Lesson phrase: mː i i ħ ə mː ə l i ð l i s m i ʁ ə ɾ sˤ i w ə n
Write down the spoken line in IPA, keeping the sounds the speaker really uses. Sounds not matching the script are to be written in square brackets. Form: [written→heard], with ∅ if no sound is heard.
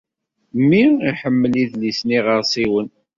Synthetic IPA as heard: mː i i ħ ə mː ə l i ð l i s [m→n] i ʁ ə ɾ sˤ i w ə n